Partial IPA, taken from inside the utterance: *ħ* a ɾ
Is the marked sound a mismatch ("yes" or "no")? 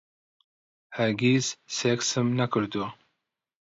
yes